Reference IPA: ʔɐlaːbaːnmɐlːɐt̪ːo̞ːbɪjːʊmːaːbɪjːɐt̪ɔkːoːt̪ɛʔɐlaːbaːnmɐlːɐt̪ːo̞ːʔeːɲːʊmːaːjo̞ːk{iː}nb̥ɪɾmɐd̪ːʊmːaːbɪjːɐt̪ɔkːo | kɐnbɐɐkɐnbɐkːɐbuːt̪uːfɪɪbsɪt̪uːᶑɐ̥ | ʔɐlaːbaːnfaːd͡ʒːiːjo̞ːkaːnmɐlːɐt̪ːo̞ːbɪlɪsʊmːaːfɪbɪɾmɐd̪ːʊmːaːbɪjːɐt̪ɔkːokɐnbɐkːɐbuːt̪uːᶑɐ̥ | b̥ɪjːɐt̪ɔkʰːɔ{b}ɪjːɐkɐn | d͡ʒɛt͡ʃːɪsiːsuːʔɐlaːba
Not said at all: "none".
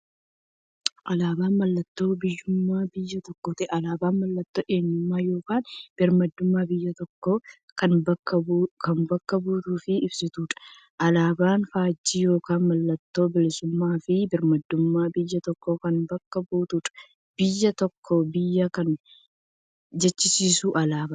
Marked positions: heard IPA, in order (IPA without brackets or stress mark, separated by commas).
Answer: aː, b